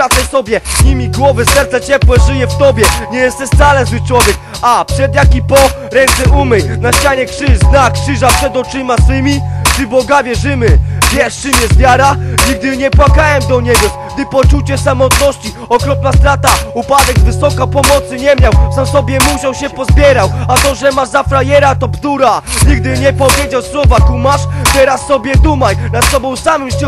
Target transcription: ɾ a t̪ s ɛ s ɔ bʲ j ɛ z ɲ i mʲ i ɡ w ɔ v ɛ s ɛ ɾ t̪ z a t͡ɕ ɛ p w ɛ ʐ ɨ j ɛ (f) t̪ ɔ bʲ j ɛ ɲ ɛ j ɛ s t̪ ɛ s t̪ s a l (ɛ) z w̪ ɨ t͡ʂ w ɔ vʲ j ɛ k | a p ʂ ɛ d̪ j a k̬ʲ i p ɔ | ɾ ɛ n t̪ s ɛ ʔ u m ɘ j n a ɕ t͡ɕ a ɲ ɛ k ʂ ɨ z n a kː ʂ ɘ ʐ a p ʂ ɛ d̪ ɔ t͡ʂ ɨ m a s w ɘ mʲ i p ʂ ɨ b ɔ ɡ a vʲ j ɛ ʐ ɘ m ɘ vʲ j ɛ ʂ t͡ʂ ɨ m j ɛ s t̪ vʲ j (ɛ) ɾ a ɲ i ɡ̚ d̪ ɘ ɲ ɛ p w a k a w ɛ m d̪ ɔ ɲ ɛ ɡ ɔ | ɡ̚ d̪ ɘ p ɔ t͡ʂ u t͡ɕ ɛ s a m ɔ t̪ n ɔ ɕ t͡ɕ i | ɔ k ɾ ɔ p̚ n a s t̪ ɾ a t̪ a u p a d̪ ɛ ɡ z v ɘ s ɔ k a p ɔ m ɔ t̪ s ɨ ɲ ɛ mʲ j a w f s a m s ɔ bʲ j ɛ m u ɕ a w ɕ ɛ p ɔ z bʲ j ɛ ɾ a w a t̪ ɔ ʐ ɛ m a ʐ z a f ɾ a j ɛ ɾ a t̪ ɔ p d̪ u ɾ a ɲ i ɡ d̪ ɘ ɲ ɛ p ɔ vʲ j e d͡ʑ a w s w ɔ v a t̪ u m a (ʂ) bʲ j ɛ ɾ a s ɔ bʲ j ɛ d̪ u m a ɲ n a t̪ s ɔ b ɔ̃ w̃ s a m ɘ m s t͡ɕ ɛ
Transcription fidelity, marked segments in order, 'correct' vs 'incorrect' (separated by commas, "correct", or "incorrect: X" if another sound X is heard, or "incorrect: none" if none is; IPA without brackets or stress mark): correct, correct, incorrect: a, correct